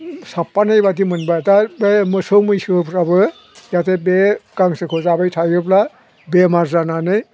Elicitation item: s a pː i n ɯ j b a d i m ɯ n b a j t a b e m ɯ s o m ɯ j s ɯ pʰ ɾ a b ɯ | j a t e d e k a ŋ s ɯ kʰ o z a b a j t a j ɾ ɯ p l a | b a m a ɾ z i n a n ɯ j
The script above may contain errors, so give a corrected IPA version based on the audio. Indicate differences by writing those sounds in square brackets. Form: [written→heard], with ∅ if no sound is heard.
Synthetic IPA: s a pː [i→a] n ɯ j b a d i m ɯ n b a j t a b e m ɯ s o m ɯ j s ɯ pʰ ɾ a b ɯ | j a t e [d→b] e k a ŋ s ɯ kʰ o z a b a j [t→tʰ] a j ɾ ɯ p l a | b [a→e] m a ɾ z [i→a] n a n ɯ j